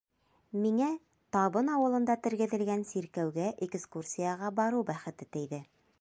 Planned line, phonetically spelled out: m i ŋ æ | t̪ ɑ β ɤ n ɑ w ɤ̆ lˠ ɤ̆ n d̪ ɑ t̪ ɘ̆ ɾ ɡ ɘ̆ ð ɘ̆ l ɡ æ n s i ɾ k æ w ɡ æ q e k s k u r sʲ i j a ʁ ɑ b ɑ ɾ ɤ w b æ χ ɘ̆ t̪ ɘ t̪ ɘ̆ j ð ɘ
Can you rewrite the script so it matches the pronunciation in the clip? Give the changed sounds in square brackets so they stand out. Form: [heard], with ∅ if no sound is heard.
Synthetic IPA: m i ŋ æ | t̪ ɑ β ɤ n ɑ w ɤ̆ lˠ ɤ̆ n d̪ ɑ t̪ ɘ̆ ɾ ɡ ɘ̆ ð ɘ̆ l ɡ æ n s i ɾ k æ w ɡ æ [ʔ] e k s k u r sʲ i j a ʁ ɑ b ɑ ɾ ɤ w b æ χ ɘ̆ t̪ ɘ t̪ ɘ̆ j ð ɘ